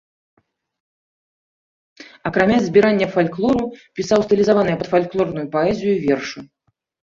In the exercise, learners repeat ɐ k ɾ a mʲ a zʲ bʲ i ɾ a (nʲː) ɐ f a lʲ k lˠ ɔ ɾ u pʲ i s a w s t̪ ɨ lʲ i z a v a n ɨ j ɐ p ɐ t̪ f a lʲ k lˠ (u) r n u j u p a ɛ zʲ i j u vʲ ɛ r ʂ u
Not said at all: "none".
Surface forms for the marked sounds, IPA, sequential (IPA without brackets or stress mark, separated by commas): nʲː, ɔ